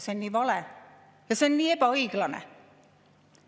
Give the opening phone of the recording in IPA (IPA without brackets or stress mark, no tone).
s